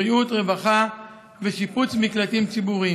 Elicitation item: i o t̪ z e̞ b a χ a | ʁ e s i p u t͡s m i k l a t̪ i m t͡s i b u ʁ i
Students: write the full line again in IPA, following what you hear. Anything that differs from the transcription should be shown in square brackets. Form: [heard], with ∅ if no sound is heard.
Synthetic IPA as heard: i [u] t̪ [ʁ] e̞ [v] a χ a | [v] e [ʃ] i p u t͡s m i k l a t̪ i m t͡s i b u ʁ i